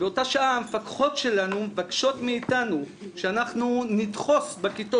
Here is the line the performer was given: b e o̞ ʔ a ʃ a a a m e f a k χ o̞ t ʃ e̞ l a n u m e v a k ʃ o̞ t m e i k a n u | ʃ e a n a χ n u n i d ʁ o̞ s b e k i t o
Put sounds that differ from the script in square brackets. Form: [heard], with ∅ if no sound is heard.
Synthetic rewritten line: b e o̞ [t] a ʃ a a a m e f a k χ o̞ t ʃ e̞ l a n u m e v a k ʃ o̞ t m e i [t] a n u | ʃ e a n a χ n u n i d [χ] o̞ s b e k i t o